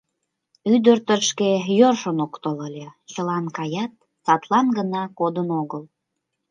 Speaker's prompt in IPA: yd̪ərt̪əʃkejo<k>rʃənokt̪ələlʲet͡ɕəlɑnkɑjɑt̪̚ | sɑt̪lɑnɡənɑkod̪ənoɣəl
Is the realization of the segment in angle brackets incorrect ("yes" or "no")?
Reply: yes